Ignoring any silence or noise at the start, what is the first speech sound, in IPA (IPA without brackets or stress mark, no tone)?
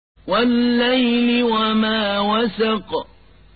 w